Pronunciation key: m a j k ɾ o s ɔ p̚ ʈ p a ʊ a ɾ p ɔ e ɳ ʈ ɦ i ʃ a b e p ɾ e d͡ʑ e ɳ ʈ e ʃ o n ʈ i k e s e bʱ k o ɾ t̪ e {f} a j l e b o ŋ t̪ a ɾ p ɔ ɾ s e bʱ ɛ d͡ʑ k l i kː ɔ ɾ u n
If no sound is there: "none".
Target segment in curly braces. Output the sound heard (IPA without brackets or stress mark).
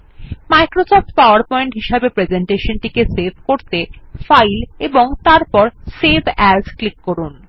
f